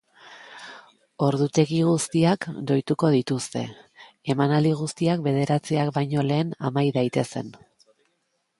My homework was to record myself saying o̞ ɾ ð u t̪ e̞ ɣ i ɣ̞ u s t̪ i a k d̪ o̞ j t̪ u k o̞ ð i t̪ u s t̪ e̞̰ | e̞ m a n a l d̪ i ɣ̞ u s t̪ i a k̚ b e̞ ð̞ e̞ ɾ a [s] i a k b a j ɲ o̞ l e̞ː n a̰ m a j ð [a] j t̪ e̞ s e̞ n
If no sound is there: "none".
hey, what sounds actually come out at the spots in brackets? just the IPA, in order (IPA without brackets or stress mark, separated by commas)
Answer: t͡s, a